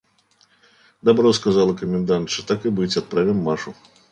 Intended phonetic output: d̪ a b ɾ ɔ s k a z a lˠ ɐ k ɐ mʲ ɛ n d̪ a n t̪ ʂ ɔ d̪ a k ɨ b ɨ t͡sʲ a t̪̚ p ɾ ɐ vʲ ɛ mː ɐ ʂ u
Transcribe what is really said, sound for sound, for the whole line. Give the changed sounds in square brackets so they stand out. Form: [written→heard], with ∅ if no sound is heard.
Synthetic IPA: d̪ a b ɾ ɔ s k a z a lˠ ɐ k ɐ mʲ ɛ n d̪ a n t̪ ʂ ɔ [d̪→t̪] a k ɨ b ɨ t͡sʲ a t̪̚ p ɾ [ɐ→a] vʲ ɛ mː [ɐ→a] ʂ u